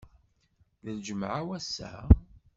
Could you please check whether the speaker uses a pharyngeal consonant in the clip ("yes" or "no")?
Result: yes